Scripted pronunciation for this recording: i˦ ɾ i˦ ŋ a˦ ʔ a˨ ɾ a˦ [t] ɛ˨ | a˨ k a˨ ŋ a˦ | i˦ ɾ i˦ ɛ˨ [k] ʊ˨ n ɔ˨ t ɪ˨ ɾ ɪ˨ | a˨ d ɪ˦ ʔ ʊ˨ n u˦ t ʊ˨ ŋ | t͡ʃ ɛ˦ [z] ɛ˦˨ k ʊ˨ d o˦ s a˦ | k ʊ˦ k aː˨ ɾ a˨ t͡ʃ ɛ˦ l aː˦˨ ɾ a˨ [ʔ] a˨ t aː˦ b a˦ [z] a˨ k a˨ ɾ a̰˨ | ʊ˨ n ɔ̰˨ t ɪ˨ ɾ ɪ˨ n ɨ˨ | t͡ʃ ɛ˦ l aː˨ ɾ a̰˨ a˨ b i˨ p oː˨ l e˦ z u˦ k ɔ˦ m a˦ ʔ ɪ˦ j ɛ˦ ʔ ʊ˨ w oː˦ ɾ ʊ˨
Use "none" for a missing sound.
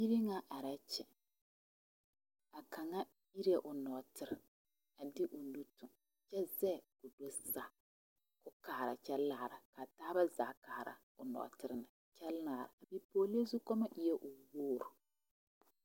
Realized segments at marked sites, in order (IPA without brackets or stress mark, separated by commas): t͡ʃ, ʔ, z, k, z